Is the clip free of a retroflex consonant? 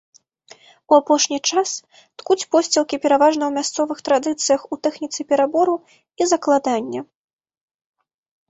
no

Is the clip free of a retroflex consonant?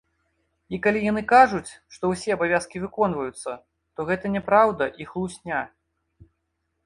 no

